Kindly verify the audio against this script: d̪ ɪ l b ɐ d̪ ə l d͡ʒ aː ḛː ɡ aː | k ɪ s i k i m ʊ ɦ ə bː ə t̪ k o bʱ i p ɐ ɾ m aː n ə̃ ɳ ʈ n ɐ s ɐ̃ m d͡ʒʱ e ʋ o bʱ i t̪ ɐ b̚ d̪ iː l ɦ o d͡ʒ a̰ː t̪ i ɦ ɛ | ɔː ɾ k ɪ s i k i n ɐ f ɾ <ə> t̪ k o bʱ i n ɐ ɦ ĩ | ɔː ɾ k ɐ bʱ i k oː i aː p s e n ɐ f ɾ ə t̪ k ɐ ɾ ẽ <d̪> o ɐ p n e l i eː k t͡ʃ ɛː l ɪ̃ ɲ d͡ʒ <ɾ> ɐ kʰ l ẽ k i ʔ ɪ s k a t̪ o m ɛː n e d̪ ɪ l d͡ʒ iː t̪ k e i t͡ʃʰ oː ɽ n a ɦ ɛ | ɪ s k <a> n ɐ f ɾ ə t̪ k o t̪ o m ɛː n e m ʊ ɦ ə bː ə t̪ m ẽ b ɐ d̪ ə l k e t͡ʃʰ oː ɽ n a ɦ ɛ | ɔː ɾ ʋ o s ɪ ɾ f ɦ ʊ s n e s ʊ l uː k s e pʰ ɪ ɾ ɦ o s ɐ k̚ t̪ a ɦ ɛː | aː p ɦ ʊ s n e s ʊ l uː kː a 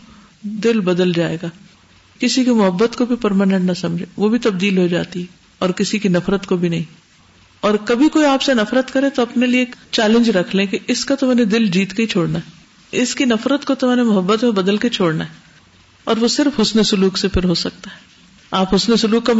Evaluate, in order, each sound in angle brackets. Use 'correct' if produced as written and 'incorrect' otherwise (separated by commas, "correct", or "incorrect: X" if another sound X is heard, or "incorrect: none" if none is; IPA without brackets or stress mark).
correct, incorrect: t̪, correct, incorrect: i